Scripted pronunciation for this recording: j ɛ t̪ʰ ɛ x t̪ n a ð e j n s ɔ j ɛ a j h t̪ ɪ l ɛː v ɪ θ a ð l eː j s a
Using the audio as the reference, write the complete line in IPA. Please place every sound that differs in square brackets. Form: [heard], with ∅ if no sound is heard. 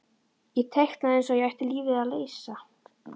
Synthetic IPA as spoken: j ɛ t̪ʰ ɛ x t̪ n a ð e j n s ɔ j ɛ a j h t̪ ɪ l [iː] v ɪ [ð] a ð l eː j s a